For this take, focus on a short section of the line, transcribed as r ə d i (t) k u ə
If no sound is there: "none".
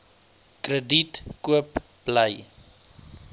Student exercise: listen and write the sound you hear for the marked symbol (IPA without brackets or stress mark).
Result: t